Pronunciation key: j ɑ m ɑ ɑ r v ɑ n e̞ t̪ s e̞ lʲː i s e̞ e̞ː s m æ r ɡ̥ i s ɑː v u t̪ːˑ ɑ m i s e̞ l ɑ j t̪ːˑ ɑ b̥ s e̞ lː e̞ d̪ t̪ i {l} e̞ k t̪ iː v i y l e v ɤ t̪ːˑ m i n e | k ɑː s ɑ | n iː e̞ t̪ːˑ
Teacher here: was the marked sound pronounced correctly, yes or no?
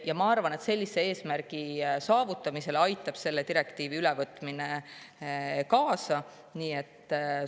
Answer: no